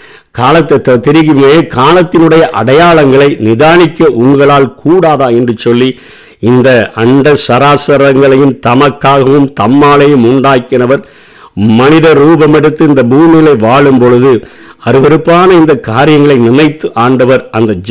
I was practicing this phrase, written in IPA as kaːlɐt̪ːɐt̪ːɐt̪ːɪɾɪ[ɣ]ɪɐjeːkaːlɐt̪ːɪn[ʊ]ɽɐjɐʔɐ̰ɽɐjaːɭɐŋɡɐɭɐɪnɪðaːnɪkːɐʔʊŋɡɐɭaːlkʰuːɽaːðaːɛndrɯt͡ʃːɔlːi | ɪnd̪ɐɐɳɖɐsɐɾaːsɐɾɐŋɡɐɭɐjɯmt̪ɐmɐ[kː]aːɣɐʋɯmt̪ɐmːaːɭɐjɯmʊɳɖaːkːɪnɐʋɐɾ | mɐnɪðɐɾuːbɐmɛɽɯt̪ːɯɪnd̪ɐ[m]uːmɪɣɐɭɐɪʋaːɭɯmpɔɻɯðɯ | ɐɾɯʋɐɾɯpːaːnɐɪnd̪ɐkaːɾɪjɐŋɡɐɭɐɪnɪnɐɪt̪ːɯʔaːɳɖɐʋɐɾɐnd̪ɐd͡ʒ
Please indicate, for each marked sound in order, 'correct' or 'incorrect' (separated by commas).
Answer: correct, incorrect, correct, incorrect